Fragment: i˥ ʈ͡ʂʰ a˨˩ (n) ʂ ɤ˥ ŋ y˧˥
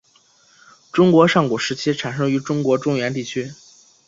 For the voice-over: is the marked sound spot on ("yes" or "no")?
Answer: yes